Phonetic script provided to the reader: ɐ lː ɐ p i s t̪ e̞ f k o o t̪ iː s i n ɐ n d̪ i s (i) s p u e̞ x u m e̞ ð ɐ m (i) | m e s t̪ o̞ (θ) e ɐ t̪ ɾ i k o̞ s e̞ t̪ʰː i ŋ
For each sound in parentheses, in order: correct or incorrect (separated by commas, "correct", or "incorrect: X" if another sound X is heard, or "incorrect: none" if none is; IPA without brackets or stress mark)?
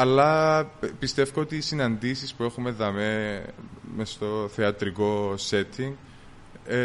correct, incorrect: e, correct